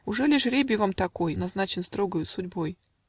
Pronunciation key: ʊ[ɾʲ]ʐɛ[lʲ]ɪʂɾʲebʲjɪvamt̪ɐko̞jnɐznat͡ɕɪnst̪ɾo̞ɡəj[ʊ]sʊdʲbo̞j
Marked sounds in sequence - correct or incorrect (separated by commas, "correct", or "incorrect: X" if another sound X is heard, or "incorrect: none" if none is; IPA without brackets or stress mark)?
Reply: incorrect: none, correct, correct